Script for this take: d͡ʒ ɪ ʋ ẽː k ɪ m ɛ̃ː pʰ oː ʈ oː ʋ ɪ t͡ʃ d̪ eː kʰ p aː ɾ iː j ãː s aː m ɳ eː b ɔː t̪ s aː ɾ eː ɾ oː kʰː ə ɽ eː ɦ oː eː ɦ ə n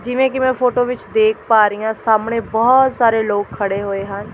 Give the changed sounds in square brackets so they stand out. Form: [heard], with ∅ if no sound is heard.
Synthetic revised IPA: d͡ʒ ɪ ʋ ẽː k ɪ m ɛ̃ː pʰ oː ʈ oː ʋ ɪ t͡ʃ d̪ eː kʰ p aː ɾ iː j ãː s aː m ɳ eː b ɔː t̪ s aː ɾ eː [l] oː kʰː ə ɽ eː ɦ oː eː ɦ ə n